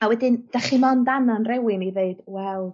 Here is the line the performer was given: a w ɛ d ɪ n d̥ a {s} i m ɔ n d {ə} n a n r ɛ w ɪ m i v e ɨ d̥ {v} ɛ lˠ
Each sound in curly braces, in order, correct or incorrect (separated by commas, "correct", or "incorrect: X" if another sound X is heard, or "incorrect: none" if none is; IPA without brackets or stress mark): incorrect: χ, incorrect: a, incorrect: w